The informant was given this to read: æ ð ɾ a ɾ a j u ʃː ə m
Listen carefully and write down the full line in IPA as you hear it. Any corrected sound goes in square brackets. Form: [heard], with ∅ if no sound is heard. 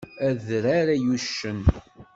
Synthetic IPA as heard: æ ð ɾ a ɾ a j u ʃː ə [n]